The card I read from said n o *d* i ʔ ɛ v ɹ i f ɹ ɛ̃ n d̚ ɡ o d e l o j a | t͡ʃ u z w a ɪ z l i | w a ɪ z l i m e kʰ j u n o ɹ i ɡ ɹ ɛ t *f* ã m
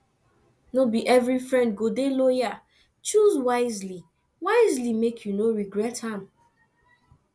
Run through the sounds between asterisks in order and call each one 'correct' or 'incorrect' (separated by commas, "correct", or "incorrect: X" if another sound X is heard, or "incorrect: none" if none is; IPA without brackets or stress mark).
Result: incorrect: b, incorrect: h